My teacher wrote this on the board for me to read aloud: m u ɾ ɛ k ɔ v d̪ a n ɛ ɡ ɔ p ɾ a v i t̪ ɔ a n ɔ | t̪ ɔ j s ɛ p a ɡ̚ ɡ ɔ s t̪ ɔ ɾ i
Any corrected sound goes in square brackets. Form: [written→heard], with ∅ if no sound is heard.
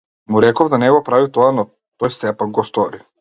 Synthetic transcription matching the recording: m u ɾ ɛ k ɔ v d̪ a n ɛ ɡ ɔ p ɾ a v i t̪ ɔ a n ɔ | t̪ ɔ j s ɛ p a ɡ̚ ɡ ɔ s t̪ ɔ ɾ i